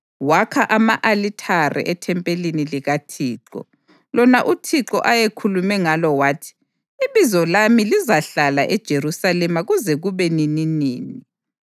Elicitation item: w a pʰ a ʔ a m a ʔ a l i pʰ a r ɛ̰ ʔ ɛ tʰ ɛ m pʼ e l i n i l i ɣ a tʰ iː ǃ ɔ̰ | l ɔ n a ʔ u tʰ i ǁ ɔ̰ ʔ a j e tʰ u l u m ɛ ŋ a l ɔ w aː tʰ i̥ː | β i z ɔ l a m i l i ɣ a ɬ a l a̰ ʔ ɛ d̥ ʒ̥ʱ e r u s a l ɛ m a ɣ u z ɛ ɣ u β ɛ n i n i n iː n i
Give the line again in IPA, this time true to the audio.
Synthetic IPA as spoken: w a kʰ a ʔ a m a ʔ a l i tʰ a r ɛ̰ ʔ ɛ tʰ ɛ m pʼ e l i n i l i ɣ a tʰ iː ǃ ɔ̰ | l ɔ n a ʔ u tʰ i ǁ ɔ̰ ʔ a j e kʰ u l u m ɛ ŋ a l ɔ w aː tʰ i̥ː | β i z ɔ l a m i l i z a ɬ a l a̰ ʔ ɛ d̥ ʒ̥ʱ e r u s a l ɛ m a ɣ u z ɛ ɣ u β ɛ n i n i n iː n i